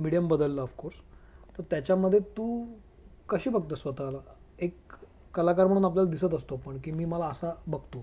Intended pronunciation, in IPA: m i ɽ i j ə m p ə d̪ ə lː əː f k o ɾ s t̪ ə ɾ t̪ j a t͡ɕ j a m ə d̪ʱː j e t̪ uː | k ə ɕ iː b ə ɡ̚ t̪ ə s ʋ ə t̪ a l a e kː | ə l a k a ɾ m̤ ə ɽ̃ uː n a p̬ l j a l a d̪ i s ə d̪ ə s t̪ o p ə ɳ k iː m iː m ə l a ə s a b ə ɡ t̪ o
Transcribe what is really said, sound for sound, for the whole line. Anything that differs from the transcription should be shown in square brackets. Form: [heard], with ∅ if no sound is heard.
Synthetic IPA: m i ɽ i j ə m [b] ə d̪ ə lː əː f k o ɾ s t̪ ə ɾ t̪ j a t͡ɕ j a m ə d̪ʱː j e t̪ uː | k ə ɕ iː b ə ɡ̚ t̪ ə s ʋ ə t̪ a l a e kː | ə l a k a ɾ m̤ ə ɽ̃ uː n a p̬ l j a l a d̪ i s ə [t̪] ə s t̪ o p ə ɳ k iː m iː m ə l a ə s a b ə ɡ t̪ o